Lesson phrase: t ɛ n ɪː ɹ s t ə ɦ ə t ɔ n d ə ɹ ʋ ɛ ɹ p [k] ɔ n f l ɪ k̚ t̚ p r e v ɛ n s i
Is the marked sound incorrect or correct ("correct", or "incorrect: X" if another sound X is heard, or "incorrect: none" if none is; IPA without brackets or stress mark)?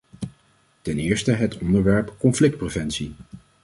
correct